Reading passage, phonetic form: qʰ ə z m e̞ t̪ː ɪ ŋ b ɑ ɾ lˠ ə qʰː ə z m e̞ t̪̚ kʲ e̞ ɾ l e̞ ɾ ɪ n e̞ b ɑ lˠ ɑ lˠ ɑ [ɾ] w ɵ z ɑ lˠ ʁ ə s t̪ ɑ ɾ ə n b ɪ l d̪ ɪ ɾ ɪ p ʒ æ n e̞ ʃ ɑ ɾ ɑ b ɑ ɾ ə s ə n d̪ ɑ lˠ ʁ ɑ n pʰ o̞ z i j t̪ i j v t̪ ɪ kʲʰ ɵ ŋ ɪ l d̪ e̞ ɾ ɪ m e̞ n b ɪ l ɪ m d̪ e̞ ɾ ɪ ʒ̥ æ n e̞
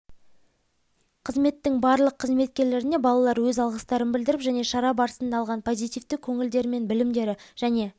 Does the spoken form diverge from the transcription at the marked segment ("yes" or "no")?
no